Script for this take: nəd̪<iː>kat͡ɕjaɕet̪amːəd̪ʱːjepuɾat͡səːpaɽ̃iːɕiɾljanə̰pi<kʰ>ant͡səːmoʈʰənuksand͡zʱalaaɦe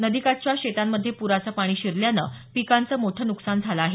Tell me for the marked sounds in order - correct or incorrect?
incorrect, incorrect

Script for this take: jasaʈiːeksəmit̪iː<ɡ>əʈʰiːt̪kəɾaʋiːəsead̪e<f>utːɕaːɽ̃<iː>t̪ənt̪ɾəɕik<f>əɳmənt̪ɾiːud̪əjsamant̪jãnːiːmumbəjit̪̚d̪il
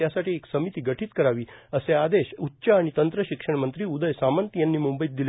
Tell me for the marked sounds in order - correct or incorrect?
correct, incorrect, incorrect, incorrect

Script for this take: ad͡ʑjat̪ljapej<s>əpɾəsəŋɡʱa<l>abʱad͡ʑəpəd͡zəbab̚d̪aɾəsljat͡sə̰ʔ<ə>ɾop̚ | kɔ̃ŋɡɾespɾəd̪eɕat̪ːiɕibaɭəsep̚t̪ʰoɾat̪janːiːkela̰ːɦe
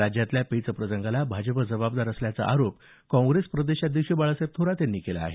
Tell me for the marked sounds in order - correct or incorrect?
incorrect, correct, incorrect

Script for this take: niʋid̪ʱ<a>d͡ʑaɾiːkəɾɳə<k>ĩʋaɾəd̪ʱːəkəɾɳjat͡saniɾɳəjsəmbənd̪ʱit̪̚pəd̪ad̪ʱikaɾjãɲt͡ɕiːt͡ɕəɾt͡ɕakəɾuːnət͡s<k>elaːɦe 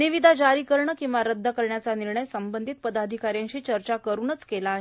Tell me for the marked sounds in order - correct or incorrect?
correct, correct, correct

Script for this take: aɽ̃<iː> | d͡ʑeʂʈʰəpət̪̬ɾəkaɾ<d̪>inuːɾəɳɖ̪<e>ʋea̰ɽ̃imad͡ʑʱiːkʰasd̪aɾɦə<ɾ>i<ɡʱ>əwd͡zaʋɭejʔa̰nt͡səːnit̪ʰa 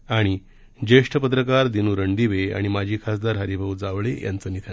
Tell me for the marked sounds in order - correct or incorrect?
incorrect, correct, incorrect, correct, incorrect

